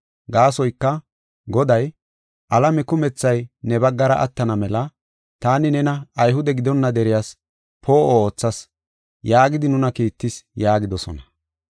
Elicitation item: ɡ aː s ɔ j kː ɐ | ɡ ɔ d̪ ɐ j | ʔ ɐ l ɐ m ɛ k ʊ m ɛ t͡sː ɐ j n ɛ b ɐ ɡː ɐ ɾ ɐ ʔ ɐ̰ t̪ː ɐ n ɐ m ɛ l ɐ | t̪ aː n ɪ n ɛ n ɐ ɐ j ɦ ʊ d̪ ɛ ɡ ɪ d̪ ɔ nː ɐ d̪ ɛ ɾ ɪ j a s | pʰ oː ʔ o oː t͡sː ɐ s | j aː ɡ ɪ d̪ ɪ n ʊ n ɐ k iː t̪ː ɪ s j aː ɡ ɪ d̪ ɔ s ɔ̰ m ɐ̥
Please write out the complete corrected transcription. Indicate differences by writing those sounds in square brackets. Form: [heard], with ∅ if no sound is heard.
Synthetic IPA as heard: ɡ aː s ɔ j kː ɐ | ɡ ɔ d̪ ɐ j | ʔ ɐ l ɐ m ɛ k ʊ m ɛ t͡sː ɐ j n ɛ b ɐ ɡː ɐ ɾ ɐ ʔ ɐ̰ t̪ː ɐ n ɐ m ɛ l ɐ | t̪ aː n ɪ n ɛ n ɐ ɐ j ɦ ʊ d̪ ɛ ɡ ɪ d̪ ɔ nː ɐ d̪ ɛ ɾ ɪ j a s | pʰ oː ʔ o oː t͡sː ɐ s | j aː ɡ ɪ d̪ ɪ n ʊ n ɐ k iː t̪ː ɪ s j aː ɡ ɪ d̪ ɔ s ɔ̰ [n] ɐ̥